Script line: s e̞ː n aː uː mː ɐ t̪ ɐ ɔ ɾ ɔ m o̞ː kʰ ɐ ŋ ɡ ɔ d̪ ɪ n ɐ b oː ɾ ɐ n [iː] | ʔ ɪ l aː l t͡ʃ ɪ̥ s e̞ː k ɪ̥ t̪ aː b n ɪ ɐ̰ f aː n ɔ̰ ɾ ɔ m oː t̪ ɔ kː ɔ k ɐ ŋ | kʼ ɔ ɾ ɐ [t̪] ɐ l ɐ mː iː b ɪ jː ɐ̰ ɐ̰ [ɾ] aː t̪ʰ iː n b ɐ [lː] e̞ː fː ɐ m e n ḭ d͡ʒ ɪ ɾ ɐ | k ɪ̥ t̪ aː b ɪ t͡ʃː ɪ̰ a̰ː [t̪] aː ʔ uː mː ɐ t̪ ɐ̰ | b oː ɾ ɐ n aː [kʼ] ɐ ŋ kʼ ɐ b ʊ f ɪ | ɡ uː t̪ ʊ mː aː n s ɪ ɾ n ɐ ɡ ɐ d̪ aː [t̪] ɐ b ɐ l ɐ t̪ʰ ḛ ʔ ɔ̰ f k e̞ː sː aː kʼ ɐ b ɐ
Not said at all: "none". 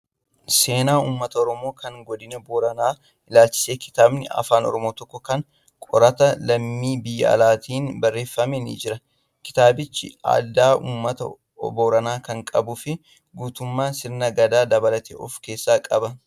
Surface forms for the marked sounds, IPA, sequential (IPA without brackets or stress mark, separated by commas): aː, t̪, l, rː, d̪, k, d̪